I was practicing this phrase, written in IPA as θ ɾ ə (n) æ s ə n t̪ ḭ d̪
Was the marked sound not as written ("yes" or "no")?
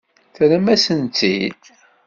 yes